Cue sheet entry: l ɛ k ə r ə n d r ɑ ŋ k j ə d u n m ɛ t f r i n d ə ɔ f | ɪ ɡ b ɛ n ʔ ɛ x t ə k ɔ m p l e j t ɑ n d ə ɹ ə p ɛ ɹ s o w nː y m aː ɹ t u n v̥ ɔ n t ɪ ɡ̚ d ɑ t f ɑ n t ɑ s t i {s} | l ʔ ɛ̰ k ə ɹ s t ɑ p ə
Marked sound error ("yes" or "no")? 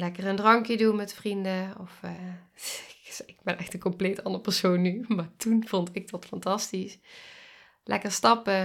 no